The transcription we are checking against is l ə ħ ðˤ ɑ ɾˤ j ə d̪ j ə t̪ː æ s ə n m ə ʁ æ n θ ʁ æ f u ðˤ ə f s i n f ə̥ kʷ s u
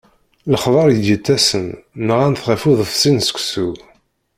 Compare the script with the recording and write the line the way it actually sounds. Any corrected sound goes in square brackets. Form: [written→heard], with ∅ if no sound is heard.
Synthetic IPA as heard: l ə [ħ→χ] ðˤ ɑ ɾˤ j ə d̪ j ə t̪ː æ s ə n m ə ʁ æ n θ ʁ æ f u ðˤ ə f s i n [f→s] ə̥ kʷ s u

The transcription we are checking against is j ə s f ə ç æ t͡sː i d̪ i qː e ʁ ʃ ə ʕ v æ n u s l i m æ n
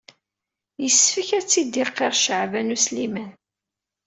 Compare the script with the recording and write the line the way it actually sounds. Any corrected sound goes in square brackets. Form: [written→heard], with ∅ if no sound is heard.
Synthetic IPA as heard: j ə s f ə ç æ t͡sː i d̪ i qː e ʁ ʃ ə ʕ v æ n u s l i m æ n

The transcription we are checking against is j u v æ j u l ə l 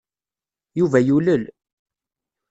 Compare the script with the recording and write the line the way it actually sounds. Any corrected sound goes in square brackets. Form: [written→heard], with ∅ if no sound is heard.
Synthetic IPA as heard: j u v æ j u l ə l

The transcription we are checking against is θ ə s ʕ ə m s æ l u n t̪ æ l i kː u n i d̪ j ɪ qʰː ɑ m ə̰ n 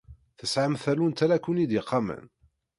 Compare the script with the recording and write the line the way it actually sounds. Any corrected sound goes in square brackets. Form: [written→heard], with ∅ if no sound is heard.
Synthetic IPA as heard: θ ə s ʕ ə m [s→θ] æ l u n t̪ æ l [i→æ] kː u n i d̪ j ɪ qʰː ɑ m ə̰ n

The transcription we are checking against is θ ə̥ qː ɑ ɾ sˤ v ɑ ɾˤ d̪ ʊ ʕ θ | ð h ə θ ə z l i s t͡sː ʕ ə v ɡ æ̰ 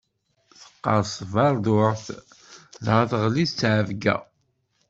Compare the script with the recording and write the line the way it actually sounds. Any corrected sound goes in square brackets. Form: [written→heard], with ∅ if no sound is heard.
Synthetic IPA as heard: θ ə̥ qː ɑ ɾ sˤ v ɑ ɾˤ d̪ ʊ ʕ θ | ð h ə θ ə [z→ʁ] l i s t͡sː ʕ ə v ɡ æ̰

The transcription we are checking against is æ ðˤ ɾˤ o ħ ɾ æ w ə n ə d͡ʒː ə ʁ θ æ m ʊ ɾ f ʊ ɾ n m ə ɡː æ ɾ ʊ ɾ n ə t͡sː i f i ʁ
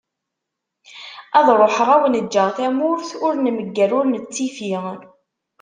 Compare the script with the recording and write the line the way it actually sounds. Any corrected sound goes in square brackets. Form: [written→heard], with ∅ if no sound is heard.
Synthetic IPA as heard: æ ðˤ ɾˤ o ħ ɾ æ w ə n ə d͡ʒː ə ʁ θ æ m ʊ ɾ [f→θ] ʊ ɾ n m ə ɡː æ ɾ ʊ ɾ n ə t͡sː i f i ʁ

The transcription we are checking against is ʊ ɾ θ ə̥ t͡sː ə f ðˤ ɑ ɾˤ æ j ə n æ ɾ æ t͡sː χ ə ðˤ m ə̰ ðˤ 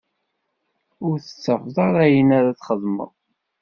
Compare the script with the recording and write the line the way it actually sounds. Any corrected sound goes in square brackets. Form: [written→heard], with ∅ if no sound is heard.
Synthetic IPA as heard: ʊ ɾ θ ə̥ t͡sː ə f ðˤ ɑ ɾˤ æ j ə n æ ɾ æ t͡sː χ ə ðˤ m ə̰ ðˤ

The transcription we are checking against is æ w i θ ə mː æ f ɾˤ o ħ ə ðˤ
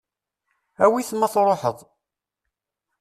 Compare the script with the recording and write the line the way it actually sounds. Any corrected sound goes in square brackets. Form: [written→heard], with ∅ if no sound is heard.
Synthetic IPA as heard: æ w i θ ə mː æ [f→θ] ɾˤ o ħ ə ðˤ

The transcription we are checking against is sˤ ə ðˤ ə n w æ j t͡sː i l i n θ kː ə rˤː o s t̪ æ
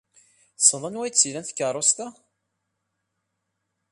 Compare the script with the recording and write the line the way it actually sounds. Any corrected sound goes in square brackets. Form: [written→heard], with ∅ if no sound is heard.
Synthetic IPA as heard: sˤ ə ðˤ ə n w æ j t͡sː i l [i→æ] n θ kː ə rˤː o s t̪ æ

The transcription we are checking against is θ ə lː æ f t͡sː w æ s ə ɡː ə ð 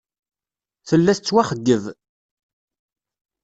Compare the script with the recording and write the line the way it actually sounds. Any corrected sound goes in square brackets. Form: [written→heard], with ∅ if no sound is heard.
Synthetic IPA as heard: θ ə lː æ [f→θ] t͡sː w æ [s→χ] ə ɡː ə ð

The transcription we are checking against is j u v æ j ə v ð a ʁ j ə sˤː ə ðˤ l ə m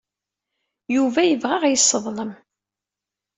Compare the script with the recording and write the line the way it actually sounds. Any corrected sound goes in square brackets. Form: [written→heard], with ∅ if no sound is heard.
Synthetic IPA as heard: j u v æ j ə v [ð→ʁ] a ʁ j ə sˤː ə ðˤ l ə m

